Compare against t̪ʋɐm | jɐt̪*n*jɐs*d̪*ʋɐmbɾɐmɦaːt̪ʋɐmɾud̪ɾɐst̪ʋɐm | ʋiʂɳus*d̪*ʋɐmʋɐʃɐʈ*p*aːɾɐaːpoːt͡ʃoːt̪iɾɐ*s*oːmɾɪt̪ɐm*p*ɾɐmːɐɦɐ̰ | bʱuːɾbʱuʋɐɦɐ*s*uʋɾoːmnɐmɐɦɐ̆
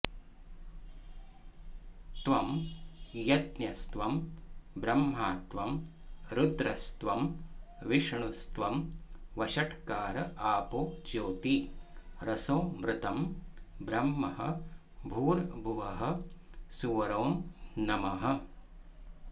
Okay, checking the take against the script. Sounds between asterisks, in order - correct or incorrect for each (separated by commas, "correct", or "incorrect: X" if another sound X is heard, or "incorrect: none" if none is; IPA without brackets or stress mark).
correct, incorrect: t̪, incorrect: t̪, incorrect: k, correct, incorrect: b, correct